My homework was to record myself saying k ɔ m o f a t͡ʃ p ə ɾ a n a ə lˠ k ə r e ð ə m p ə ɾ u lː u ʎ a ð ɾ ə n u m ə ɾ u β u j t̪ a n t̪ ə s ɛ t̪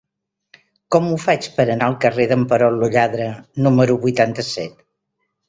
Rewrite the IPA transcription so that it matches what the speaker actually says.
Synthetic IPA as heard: k ɔ m u f a t͡ʃ p ə ɾ ə n a ə lˠ k ə r e ð ə m p ə ɾ ɔ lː u ʎ a ð ɾ ə n u m ə ɾ u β u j t̪ a n t̪ ə s ɛ t̪